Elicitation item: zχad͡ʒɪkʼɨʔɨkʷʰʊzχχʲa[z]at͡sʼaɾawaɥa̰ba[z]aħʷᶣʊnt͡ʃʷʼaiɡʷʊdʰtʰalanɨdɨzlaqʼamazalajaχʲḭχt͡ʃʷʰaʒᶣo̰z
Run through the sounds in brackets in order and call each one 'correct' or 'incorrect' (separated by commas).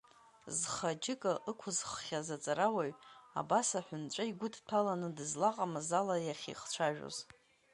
correct, incorrect